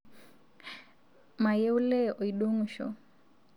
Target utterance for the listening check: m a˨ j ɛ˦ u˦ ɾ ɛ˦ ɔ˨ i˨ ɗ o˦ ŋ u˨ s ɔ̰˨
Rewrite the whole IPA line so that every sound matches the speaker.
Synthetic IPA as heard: m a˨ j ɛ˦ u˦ l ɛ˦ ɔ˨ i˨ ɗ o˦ ŋ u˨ ʃ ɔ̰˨